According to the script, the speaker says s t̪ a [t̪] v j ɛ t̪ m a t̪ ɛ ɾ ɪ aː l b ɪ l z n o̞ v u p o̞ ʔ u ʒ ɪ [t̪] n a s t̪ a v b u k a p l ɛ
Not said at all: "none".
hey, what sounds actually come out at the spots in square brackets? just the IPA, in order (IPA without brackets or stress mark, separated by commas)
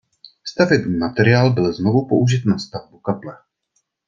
none, t̪